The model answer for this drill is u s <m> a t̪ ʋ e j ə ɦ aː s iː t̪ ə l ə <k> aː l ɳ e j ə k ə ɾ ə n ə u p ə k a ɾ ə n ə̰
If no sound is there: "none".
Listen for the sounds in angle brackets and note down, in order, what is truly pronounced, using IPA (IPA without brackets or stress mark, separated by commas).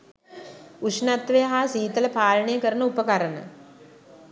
n, p